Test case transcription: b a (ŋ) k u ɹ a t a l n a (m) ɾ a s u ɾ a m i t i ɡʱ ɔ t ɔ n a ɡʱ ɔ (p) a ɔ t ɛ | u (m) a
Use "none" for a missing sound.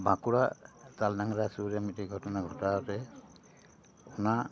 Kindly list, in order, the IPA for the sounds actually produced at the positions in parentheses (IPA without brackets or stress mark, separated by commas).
none, ŋ, t, n